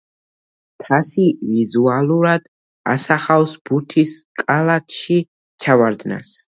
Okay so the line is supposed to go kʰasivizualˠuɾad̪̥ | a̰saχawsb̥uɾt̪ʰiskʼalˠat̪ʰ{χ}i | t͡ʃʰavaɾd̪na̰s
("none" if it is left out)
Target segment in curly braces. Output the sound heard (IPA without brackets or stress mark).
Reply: ʃ